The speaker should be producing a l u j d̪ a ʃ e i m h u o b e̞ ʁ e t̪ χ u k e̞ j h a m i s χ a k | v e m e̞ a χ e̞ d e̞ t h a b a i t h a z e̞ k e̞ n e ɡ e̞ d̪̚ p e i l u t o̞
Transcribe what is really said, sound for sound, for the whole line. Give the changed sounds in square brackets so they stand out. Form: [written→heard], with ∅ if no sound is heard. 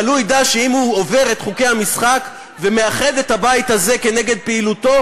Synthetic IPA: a l u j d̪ a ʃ e i m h u o [b→v] e̞ ʁ e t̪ χ u k e̞ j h a m i s χ a k | v e m e̞ a χ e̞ d e̞ t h a b a i t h a z e̞ k e̞ n e ɡ e̞ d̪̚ p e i l u t o̞